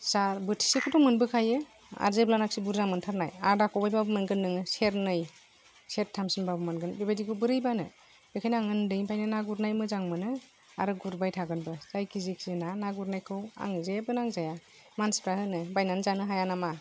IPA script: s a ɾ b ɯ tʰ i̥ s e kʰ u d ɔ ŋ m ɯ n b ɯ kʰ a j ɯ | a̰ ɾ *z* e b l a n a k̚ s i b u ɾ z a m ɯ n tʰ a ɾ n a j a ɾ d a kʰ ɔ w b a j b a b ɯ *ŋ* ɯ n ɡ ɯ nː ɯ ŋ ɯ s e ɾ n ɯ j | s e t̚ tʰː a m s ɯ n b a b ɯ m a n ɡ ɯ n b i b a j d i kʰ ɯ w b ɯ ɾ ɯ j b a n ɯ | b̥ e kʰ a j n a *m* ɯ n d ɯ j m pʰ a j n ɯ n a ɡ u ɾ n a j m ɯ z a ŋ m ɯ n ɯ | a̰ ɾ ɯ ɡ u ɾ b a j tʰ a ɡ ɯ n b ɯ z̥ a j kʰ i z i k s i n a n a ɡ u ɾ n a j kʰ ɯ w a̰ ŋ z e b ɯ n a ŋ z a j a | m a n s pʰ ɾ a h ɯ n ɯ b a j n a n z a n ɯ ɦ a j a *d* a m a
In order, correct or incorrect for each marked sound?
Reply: correct, incorrect, incorrect, incorrect

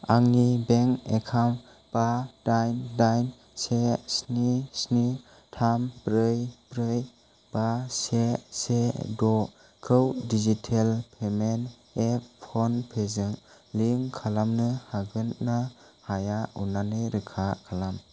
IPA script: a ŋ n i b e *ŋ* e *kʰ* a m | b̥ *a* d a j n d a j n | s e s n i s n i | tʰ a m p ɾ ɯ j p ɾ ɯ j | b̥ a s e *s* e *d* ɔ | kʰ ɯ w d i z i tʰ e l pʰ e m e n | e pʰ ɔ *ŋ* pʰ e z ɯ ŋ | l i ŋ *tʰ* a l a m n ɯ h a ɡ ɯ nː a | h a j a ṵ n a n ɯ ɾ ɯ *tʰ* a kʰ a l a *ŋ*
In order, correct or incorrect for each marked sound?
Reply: correct, correct, correct, correct, correct, incorrect, incorrect, incorrect, incorrect

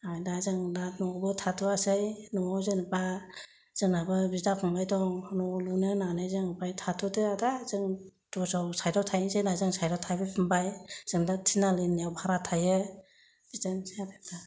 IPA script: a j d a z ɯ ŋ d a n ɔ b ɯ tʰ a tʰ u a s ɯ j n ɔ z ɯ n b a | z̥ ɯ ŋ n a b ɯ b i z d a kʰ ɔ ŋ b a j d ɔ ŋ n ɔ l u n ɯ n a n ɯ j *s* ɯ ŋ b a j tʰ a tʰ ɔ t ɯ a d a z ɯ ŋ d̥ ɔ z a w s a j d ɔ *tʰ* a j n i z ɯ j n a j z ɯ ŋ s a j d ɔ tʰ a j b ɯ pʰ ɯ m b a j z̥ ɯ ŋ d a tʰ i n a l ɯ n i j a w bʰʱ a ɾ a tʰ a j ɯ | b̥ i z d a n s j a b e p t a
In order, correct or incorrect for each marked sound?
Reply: incorrect, correct

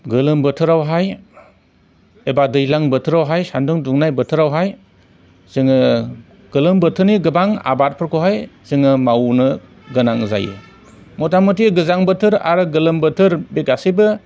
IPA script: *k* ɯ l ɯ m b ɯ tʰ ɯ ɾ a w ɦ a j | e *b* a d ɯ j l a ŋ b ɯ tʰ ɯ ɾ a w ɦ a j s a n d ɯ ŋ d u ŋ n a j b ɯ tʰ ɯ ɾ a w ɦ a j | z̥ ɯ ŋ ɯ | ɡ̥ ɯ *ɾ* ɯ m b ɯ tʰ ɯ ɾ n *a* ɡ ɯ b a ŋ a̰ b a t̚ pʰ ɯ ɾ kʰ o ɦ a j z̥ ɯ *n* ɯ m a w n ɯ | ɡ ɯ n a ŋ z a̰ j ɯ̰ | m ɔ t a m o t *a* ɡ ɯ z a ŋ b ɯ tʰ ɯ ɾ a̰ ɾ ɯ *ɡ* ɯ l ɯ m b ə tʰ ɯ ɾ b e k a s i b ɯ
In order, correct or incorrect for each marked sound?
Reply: incorrect, correct, incorrect, incorrect, incorrect, incorrect, correct

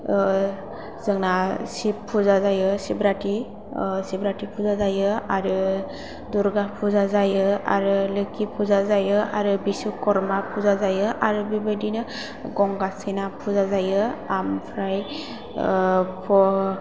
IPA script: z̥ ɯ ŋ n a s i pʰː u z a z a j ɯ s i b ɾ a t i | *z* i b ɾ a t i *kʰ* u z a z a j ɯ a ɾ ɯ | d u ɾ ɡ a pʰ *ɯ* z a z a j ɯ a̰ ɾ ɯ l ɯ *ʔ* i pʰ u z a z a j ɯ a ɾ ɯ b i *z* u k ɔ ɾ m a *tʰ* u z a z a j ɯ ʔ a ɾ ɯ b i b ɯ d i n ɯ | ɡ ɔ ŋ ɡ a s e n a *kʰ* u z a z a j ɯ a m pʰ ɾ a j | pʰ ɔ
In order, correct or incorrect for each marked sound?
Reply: incorrect, incorrect, incorrect, incorrect, incorrect, incorrect, incorrect

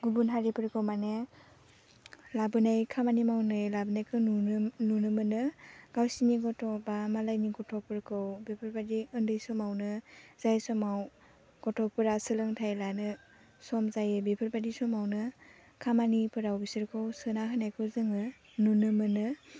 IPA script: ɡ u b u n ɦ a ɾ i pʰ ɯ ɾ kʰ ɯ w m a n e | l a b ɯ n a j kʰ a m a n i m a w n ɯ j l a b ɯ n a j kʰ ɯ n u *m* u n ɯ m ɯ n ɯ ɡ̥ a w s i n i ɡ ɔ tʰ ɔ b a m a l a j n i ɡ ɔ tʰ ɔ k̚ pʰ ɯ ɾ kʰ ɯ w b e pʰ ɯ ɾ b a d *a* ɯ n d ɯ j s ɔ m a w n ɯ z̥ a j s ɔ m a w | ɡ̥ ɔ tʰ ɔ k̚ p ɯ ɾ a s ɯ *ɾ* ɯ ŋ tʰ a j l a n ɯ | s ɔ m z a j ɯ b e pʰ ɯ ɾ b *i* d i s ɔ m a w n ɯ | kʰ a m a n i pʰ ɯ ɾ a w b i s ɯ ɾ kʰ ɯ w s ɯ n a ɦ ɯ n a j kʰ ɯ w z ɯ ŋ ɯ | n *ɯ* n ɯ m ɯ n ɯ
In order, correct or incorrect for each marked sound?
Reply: incorrect, incorrect, incorrect, incorrect, incorrect

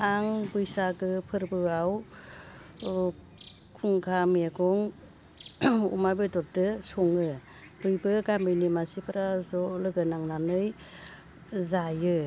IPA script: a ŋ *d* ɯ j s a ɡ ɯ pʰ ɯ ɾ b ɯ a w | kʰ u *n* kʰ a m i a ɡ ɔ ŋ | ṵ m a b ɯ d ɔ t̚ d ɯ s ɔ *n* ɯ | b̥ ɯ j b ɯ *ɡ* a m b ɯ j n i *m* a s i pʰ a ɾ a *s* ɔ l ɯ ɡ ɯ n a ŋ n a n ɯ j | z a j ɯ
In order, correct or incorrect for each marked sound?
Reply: incorrect, incorrect, incorrect, correct, correct, incorrect

